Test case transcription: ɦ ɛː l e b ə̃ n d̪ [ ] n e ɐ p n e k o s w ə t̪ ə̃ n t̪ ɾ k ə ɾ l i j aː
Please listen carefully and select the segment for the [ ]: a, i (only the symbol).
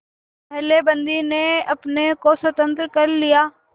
i